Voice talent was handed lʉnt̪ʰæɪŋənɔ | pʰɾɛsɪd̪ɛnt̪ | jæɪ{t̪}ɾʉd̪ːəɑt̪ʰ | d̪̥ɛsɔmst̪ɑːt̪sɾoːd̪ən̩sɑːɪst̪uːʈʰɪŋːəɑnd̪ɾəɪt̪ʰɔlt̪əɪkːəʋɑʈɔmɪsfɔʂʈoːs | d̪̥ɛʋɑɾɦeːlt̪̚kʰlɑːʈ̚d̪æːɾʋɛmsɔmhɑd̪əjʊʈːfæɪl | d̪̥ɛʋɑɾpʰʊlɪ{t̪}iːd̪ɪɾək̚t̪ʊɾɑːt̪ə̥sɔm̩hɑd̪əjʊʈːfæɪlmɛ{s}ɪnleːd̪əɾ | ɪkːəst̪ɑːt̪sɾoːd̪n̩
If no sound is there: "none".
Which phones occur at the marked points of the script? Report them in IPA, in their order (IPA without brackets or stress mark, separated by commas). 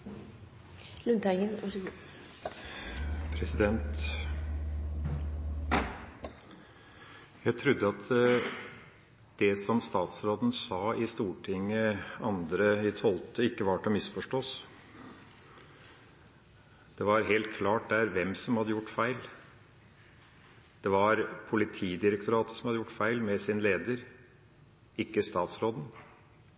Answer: t̪ʰ, t̪ʰ, s